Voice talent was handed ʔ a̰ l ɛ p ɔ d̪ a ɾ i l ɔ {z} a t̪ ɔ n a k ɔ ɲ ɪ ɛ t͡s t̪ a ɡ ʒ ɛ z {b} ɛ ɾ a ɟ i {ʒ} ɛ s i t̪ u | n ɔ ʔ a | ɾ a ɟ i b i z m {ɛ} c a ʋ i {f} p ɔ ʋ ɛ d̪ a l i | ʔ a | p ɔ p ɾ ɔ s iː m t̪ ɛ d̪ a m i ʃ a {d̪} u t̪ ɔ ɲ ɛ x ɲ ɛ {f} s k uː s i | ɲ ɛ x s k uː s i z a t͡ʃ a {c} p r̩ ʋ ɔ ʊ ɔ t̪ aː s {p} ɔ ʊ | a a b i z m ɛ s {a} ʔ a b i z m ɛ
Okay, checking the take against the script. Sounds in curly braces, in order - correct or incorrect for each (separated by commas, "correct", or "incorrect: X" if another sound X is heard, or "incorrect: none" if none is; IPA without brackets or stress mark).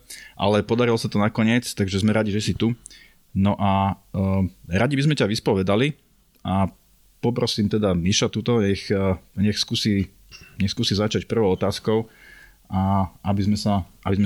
incorrect: s, incorrect: m, correct, correct, incorrect: s, incorrect: t̪, incorrect: x, correct, incorrect: k, correct